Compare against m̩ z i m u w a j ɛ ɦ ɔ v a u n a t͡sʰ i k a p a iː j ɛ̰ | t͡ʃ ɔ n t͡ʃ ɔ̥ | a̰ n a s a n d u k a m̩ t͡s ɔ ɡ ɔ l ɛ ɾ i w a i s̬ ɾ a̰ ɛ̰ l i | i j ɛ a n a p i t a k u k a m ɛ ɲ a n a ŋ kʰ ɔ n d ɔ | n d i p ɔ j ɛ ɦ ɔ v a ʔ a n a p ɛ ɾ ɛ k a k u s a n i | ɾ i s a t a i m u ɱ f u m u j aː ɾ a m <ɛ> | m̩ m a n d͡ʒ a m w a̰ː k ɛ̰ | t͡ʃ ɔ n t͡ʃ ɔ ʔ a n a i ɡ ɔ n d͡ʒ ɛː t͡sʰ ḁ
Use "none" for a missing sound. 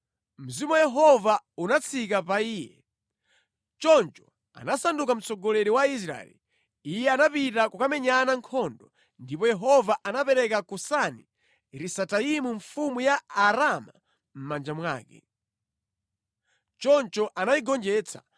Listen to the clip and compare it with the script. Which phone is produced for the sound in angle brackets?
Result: a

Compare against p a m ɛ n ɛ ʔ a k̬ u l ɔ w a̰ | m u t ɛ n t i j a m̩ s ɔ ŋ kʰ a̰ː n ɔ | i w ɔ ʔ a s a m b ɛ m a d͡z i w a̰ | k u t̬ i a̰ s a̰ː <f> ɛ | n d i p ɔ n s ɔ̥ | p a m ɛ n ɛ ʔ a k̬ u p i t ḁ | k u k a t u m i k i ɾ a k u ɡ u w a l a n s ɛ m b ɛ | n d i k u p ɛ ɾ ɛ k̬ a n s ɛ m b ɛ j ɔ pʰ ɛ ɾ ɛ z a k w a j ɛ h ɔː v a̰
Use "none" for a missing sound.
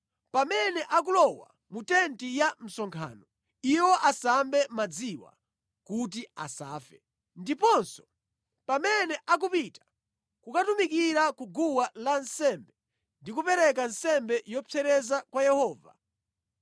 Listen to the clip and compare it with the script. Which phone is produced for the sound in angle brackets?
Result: f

